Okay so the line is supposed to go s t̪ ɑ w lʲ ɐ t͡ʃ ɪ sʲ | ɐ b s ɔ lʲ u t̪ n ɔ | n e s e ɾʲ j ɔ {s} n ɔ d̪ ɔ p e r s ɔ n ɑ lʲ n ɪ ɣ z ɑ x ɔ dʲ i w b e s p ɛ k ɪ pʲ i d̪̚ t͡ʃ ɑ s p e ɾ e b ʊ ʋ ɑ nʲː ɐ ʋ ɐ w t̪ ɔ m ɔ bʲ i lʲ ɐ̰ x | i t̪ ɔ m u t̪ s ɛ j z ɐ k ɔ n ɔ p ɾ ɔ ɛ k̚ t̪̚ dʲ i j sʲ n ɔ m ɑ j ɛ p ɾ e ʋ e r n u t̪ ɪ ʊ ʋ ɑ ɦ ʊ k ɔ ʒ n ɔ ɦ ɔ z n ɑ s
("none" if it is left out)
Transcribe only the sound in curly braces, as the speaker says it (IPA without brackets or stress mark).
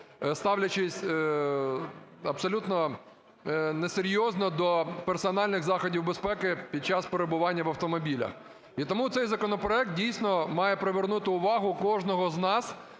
z